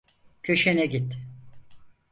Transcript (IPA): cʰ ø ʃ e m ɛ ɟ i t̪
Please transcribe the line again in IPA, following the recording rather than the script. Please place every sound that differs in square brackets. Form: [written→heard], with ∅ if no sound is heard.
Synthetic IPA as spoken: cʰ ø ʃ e [m→n] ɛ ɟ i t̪